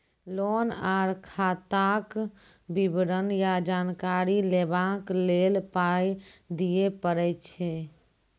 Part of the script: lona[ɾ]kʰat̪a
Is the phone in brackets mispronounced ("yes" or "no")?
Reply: no